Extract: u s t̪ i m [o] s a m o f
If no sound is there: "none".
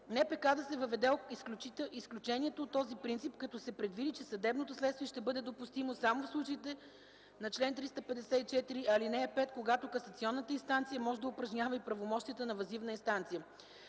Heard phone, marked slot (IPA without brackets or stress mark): o